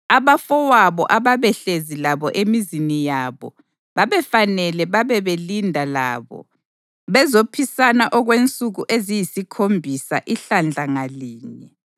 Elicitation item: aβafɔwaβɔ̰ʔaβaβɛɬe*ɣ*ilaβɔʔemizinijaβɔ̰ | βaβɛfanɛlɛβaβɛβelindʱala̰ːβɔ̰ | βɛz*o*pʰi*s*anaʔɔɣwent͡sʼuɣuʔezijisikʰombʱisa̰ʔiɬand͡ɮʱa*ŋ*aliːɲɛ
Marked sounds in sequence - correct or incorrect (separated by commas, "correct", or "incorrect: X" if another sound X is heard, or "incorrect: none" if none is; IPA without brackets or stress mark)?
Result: incorrect: z, correct, correct, correct